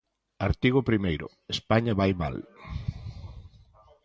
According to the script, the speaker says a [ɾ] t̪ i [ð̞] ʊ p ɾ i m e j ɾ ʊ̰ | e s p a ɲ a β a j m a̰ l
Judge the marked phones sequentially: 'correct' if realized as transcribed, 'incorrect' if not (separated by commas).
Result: correct, incorrect